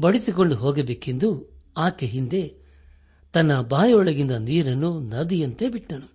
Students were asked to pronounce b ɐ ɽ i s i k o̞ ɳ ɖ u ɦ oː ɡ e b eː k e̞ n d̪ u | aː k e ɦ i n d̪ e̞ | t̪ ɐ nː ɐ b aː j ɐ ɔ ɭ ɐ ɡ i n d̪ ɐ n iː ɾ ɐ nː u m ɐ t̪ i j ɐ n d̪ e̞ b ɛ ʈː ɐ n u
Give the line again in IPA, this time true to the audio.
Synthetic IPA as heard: b ɐ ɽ i s i k o̞ ɳ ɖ u ɦ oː ɡ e b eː k e̞ n d̪ u | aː k e ɦ i n d̪ e̞ | t̪ ɐ nː ɐ b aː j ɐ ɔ ɭ ɐ ɡ i n d̪ ɐ n iː ɾ ɐ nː u n ɐ d̪ i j ɐ n t̪ e̞ b i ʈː ɐ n u